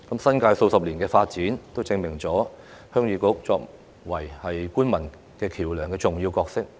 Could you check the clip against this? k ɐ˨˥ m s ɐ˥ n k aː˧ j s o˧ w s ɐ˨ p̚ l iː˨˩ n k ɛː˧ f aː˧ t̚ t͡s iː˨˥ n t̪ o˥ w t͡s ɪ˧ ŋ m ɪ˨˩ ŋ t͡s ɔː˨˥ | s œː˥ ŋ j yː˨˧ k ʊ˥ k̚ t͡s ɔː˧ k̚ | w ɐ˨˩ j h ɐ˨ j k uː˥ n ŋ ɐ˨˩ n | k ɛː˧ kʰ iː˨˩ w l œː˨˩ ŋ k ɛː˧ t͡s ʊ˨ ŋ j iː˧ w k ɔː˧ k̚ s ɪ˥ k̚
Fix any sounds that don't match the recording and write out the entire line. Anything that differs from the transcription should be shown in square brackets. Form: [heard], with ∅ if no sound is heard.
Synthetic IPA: k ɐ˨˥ m s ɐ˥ n k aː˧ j s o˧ w s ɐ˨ p̚ l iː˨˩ n k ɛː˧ f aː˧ t̚ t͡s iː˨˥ n t̪ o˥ w t͡s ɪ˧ ŋ m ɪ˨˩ ŋ t͡s ɔː˨˥ | [h] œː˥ ŋ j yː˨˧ k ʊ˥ k̚ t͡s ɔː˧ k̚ | w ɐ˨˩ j h ɐ˨ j k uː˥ n [m] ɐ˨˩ n | k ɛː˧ kʰ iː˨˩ w l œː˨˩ ŋ k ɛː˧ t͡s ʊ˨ ŋ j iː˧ w k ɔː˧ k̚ s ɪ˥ k̚